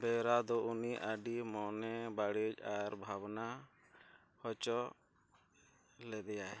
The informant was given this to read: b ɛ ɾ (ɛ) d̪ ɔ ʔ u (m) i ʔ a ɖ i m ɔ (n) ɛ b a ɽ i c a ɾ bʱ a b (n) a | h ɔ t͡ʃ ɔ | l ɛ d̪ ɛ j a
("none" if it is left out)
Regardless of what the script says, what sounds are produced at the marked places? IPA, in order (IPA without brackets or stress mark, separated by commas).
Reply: a, n, n, n